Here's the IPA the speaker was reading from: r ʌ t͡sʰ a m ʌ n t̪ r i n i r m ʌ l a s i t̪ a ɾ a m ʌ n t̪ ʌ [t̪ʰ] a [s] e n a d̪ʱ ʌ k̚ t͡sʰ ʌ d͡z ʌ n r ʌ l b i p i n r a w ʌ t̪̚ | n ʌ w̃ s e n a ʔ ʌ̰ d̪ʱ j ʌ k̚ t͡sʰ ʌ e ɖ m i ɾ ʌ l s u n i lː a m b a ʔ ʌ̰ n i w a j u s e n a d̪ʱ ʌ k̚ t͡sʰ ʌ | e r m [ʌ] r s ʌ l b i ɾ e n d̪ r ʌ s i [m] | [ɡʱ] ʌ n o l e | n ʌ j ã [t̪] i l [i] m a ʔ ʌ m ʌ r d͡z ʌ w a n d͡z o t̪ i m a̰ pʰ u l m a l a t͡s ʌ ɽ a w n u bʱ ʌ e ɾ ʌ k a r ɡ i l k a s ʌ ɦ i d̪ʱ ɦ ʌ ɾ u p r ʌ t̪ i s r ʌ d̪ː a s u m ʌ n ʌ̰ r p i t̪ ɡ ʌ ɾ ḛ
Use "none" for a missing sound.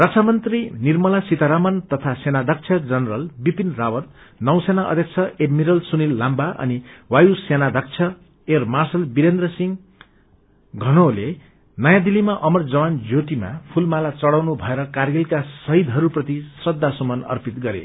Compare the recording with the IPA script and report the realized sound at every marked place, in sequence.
t̪ʰ, s, a, ŋ, ɡʱ, d̪, i

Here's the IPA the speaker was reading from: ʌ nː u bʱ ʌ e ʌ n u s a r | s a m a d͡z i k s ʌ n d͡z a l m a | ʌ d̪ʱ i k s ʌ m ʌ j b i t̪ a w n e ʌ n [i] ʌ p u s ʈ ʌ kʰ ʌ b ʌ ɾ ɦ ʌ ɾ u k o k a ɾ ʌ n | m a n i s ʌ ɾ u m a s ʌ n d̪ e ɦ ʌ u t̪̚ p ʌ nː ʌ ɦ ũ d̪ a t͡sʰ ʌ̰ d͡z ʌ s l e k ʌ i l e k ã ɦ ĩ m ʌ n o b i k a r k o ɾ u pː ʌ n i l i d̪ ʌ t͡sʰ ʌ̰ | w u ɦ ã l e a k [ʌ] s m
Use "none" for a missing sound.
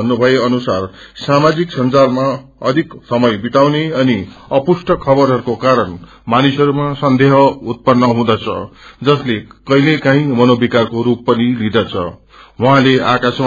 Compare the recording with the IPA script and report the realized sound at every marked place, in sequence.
i, a

